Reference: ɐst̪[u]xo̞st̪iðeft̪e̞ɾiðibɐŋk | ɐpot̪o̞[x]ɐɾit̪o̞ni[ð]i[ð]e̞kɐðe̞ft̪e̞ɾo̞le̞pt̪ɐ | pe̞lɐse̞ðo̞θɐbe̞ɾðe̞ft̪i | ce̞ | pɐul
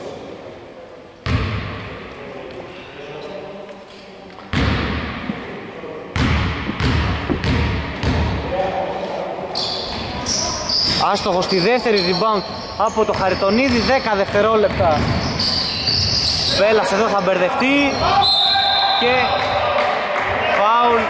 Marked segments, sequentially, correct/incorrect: incorrect: o, correct, correct, correct

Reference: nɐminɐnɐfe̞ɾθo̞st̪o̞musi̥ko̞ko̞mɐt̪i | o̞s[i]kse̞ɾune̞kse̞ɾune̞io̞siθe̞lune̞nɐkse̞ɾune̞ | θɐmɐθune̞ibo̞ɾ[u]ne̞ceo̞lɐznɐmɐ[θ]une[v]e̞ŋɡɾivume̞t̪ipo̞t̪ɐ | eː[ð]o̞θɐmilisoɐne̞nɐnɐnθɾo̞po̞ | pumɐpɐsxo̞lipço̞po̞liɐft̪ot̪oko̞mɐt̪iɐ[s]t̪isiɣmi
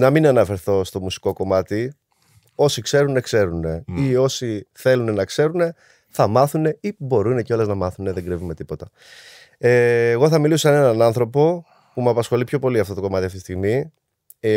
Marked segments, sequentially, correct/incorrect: correct, correct, correct, incorrect: ð, incorrect: ɣ, incorrect: f

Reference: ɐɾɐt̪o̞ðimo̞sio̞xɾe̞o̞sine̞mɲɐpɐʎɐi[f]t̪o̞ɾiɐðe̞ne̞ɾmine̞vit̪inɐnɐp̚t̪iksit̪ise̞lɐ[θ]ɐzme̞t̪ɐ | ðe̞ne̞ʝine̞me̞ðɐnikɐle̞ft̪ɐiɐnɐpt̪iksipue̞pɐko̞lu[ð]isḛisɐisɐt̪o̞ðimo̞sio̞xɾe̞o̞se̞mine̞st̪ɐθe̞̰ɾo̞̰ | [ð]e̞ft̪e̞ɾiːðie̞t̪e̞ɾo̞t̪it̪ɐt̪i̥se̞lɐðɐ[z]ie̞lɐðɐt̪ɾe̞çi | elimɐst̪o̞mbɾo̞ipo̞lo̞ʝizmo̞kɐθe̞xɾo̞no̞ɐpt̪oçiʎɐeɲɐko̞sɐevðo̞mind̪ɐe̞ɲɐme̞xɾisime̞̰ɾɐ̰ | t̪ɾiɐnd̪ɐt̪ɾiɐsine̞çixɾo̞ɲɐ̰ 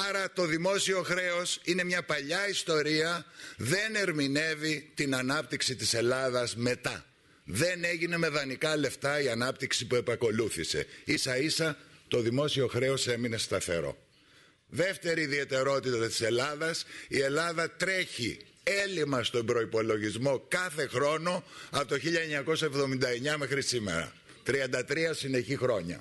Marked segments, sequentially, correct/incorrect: incorrect: s, incorrect: ð, incorrect: θ, correct, incorrect: s

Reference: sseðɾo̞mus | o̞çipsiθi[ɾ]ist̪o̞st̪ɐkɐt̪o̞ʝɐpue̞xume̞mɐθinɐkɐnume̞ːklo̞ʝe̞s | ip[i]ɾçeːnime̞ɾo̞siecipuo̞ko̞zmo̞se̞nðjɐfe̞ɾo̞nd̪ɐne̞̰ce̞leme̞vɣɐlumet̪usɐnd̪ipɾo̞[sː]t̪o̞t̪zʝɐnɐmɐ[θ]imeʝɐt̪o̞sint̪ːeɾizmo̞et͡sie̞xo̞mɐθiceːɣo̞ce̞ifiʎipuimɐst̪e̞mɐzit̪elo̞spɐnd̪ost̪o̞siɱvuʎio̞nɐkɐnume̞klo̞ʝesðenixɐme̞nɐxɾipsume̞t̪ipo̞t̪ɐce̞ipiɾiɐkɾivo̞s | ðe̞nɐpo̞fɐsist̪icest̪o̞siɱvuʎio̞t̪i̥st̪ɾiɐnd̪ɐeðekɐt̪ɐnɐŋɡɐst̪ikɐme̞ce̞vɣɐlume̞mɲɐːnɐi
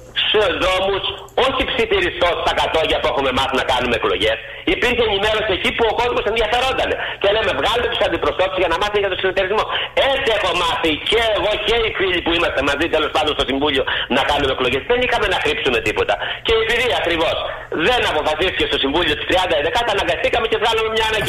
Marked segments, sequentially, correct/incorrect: correct, correct, incorrect: s, correct

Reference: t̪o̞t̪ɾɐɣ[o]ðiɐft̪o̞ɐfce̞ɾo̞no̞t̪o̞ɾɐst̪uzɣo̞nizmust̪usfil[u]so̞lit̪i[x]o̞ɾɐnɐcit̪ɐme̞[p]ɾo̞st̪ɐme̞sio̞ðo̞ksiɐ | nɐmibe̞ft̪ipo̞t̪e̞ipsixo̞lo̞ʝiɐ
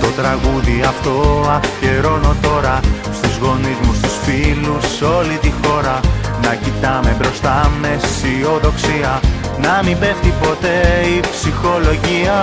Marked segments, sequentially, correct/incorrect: incorrect: u, correct, correct, incorrect: b

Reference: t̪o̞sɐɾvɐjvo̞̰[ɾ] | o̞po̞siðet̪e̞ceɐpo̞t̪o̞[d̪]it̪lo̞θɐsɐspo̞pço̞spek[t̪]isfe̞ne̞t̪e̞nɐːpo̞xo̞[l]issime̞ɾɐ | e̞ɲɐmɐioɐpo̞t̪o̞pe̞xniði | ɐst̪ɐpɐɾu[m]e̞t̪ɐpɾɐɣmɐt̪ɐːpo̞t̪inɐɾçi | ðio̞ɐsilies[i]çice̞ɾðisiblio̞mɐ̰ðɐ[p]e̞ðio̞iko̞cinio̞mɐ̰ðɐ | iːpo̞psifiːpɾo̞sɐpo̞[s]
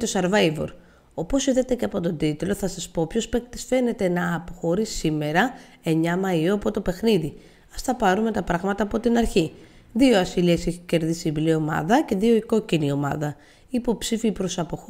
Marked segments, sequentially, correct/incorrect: correct, correct, correct, incorrect: ɾ, correct, incorrect: e, incorrect: c, incorrect: x

